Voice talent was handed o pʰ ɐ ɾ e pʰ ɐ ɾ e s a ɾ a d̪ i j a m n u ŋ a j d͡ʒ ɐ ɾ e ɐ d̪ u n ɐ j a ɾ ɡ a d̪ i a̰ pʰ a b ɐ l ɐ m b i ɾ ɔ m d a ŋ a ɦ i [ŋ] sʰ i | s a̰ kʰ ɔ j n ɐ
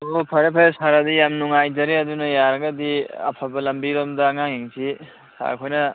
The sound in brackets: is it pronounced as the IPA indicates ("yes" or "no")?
yes